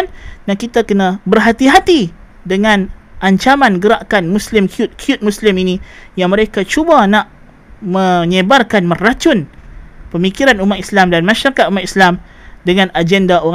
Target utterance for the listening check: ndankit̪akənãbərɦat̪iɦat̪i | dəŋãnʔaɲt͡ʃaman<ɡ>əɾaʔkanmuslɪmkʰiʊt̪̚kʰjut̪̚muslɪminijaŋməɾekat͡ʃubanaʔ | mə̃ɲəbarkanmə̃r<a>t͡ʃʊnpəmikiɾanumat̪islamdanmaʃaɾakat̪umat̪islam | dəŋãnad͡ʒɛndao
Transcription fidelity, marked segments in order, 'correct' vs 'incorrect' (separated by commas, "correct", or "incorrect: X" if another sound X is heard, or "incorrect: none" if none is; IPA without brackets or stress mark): correct, correct